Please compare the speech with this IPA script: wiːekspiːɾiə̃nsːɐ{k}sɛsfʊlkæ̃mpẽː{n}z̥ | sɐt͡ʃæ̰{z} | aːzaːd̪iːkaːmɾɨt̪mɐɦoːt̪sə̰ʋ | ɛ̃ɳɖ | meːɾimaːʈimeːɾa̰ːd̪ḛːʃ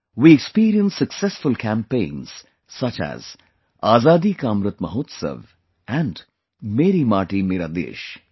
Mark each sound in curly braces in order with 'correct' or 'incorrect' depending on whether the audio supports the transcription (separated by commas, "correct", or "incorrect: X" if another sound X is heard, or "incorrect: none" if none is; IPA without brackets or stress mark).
correct, correct, correct